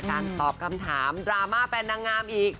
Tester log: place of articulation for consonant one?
velar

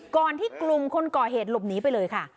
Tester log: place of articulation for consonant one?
velar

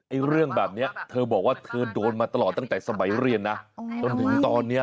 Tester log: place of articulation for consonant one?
glottal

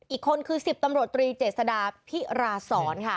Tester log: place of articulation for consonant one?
glottal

